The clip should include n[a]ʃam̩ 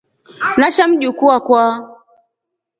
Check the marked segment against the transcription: correct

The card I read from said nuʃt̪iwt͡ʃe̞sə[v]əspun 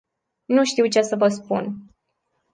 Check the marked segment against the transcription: correct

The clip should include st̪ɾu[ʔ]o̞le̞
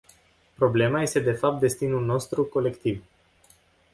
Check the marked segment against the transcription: incorrect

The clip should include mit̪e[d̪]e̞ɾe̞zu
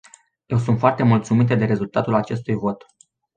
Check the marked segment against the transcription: correct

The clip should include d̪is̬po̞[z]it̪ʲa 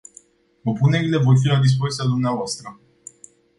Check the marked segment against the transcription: correct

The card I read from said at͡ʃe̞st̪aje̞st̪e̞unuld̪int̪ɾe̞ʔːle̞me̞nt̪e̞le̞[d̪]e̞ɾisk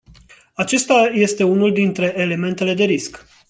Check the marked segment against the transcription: correct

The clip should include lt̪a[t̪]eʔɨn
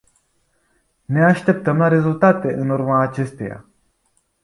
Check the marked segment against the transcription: correct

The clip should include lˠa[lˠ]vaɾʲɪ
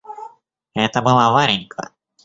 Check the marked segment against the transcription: incorrect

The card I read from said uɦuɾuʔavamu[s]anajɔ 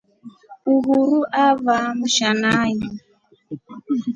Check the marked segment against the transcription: incorrect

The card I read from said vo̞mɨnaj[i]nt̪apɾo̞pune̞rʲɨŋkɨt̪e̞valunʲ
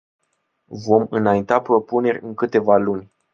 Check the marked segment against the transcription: correct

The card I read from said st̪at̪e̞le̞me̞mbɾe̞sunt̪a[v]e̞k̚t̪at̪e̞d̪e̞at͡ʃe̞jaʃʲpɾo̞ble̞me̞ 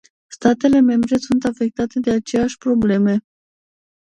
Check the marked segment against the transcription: incorrect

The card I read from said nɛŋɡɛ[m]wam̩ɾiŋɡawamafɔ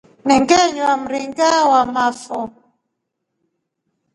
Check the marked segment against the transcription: incorrect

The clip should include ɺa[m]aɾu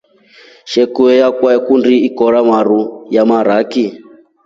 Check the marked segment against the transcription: correct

